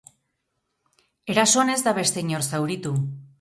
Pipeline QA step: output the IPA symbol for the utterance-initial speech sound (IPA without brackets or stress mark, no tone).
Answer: e̞